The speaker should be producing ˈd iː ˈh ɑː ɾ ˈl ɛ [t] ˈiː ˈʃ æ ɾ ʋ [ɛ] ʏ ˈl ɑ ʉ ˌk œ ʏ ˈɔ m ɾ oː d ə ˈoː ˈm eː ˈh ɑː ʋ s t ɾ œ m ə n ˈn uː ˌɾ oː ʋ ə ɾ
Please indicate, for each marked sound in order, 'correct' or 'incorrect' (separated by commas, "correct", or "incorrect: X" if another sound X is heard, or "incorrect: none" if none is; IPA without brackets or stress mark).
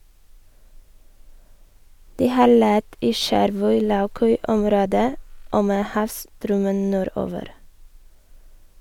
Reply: correct, incorrect: œ